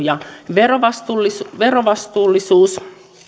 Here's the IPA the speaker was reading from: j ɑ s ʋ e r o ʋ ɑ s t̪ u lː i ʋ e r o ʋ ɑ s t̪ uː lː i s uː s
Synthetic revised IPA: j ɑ ʋ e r o ʋ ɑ s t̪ u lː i ʋ e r o ʋ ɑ s t̪ uː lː i s uː s